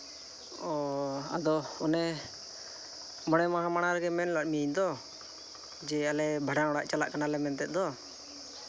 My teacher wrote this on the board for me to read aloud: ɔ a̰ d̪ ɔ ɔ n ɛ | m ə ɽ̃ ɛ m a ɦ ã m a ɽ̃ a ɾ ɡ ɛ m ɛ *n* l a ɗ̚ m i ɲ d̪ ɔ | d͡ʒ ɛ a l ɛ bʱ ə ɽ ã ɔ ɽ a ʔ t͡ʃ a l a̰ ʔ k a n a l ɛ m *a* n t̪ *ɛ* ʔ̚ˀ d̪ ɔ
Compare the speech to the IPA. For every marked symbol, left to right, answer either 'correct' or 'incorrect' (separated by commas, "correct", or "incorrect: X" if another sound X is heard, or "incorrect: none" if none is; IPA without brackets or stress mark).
correct, incorrect: ɛ, correct